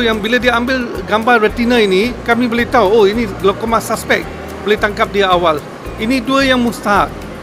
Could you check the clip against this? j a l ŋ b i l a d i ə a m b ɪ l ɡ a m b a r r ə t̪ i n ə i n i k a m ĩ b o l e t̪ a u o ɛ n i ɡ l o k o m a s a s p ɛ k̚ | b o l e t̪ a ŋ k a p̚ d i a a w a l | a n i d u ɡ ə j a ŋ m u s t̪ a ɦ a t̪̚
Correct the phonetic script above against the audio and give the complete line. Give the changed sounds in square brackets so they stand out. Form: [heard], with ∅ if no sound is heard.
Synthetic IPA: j a [∅] ŋ b i l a d i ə a m b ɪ l ɡ a m b a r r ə t̪ i n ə i n i k a m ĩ b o l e t̪ a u o [i] n i ɡ l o k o m a s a s p ɛ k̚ | b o l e t̪ a ŋ k a p̚ d i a a w a l | [i] n i d u [∅] ə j a ŋ m u s t̪ a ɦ a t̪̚